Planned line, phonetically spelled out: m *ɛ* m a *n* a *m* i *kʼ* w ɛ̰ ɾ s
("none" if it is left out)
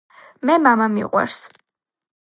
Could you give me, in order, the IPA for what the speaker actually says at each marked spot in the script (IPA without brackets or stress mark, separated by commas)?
ɛ, m, m, qʼ